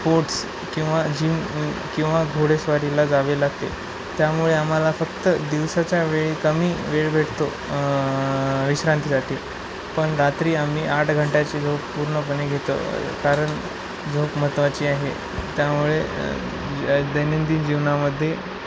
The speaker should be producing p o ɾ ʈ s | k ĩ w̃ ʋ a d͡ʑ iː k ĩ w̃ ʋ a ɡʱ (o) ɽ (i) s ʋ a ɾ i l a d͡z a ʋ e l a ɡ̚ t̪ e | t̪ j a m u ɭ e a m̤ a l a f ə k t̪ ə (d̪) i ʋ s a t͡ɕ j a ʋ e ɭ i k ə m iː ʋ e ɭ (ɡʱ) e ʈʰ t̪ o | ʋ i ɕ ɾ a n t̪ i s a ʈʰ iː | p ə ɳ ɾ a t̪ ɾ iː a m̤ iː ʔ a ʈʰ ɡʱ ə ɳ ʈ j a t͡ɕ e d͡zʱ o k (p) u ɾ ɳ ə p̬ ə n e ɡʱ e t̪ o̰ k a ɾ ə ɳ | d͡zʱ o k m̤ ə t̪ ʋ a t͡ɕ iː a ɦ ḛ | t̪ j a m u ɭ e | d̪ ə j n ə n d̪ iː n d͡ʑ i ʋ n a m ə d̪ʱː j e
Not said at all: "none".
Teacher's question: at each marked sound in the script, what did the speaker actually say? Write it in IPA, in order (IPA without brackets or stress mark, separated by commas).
o, e, d̪, bʱ, p